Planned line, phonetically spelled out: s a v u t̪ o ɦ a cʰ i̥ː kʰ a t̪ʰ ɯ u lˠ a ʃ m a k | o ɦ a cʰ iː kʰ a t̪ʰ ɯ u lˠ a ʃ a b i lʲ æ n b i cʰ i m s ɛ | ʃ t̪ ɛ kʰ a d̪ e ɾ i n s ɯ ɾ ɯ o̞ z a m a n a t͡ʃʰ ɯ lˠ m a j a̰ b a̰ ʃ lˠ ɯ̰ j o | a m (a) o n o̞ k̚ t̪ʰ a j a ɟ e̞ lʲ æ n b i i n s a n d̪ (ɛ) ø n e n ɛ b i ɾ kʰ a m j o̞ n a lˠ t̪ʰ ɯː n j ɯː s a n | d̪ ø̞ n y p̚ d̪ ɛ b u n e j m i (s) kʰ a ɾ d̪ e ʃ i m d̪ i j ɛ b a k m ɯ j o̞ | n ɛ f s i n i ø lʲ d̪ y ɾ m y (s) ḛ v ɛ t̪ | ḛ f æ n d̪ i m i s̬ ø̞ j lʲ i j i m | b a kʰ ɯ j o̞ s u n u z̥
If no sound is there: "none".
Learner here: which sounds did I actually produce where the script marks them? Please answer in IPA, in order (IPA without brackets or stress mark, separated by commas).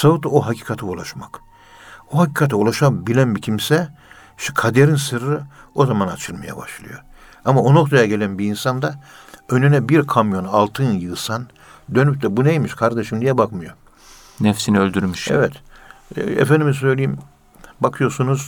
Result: a, a, ʃ, ʃ